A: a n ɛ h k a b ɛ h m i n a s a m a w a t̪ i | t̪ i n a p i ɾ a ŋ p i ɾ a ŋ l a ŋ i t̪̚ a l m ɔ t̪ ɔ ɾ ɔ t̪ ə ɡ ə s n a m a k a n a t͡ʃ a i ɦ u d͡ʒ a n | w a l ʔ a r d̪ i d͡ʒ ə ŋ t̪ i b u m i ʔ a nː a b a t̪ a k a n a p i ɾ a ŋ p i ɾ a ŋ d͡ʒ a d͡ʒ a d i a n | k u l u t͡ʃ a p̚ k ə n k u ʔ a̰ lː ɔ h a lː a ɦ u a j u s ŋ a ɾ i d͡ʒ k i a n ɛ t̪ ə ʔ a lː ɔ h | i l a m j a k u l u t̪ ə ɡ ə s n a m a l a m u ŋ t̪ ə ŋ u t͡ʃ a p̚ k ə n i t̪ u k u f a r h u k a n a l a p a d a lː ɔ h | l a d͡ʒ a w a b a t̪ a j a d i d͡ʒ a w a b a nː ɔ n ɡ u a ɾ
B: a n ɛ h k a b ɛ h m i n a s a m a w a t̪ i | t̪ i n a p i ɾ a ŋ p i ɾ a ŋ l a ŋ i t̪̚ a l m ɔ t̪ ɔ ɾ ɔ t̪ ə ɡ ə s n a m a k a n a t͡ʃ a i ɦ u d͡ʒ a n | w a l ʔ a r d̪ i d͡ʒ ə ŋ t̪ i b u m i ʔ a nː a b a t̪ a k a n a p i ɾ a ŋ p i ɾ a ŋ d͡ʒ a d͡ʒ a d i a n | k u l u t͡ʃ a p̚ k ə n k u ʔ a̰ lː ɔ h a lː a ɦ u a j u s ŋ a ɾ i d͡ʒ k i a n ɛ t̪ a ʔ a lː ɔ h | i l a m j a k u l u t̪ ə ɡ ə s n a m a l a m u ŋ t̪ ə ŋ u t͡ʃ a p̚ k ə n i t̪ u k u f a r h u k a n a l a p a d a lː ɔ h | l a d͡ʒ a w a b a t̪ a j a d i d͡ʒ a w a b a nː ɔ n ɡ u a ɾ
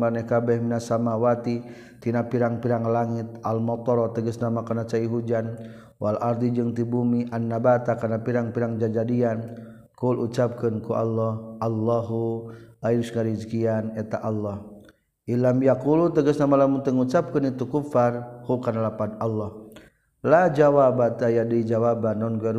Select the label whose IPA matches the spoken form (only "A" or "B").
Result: B